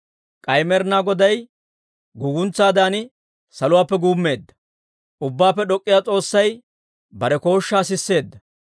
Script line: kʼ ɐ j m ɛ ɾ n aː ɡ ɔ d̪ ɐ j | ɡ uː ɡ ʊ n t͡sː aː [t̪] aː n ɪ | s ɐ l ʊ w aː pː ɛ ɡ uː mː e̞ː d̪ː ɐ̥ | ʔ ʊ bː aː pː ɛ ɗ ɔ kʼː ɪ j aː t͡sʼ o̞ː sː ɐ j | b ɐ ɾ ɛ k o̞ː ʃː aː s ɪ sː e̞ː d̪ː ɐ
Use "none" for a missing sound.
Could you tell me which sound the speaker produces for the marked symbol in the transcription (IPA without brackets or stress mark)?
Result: d̪